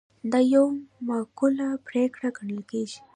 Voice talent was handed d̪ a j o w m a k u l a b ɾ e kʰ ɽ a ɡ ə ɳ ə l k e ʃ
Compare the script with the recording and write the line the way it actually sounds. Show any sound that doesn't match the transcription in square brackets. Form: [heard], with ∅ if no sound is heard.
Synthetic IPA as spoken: d̪ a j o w m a k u l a [p] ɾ e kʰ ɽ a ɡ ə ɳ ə l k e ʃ

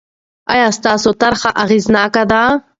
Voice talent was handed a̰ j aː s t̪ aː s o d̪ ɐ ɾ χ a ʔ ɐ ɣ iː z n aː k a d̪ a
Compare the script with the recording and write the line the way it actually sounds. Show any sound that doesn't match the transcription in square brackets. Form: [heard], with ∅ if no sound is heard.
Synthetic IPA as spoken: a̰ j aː s t̪ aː s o [t̪] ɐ ɾ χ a ʔ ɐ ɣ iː z n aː k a d̪ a

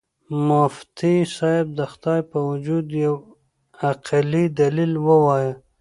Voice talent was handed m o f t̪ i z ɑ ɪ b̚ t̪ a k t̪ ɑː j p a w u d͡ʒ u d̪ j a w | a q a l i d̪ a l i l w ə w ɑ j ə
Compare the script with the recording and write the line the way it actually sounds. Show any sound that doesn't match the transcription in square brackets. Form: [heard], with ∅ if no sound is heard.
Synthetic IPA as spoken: m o f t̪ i [s] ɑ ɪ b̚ [d̪] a [x] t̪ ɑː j p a w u d͡ʒ u d̪ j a w | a q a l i d̪ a l i l w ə w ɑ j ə

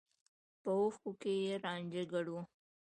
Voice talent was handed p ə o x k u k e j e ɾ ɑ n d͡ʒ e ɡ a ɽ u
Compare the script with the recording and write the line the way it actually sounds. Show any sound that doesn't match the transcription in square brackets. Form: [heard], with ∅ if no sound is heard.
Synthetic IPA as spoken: p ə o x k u k e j e ɾ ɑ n d͡ʒ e ɡ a ɽ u

